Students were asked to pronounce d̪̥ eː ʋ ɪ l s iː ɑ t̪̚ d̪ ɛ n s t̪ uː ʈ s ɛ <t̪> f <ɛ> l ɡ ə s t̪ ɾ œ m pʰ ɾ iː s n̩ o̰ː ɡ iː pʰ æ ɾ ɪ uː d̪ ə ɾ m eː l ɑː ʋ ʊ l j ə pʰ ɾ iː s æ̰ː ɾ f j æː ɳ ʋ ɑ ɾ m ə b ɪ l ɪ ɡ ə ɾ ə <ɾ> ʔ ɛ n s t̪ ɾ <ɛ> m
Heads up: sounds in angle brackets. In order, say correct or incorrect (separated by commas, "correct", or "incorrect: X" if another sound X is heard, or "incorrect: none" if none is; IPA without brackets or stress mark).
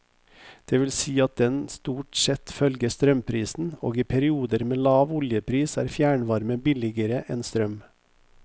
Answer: correct, incorrect: œ, incorrect: none, incorrect: œ